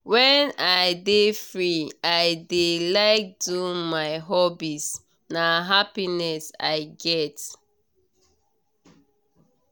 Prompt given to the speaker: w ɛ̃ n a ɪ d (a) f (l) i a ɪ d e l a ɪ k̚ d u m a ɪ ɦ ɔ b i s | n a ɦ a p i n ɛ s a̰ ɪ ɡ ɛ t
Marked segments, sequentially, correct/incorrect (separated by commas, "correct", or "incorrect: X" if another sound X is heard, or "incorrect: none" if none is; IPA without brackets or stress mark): incorrect: e, incorrect: ɹ